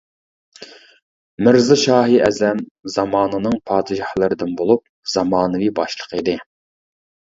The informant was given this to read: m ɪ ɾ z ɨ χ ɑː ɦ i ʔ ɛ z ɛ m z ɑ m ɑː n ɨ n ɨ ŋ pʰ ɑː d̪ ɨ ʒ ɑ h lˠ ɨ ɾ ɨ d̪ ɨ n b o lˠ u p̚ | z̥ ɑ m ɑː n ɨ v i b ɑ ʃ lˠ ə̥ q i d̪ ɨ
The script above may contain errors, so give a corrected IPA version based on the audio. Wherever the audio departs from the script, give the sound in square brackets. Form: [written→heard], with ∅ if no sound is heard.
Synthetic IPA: m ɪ ɾ z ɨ [χ→ʃ] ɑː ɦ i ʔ ɛ z ɛ m z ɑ m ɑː n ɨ n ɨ ŋ pʰ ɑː d̪ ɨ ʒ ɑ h lˠ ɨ ɾ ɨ d̪ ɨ n b o lˠ u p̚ | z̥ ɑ m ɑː n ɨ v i b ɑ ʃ lˠ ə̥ q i d̪ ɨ